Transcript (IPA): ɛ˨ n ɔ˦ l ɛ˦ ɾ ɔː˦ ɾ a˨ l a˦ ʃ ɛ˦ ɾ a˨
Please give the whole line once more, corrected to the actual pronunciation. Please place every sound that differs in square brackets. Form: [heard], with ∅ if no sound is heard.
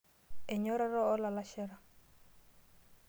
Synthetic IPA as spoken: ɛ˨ [ɲ] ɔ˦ [ɾ] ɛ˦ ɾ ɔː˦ [l] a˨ l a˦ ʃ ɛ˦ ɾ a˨